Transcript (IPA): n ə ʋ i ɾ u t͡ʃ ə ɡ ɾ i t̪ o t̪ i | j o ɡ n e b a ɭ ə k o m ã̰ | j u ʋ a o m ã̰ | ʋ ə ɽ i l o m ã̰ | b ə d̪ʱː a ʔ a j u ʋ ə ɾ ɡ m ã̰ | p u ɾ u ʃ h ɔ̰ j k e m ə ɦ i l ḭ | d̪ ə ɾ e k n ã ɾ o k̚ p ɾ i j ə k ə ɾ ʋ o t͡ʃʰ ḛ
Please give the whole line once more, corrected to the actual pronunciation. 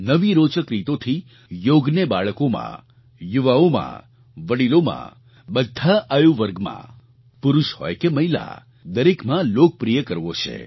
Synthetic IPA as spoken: n ə ʋ i ɾ o t͡ʃ ə k ɾ i t̪ o t̪ʰ i | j o ɡ n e b a ɭ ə k o m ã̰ | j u ʋ a o m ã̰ | ʋ ə ɽ i l o m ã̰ | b ə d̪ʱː a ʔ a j u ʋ ə ɾ ɡ m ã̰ | p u ɾ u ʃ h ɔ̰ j k e m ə ɦ i l a̰ | d̪ ə ɾ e k m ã l o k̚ p ɾ i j ə k ə ɾ ʋ o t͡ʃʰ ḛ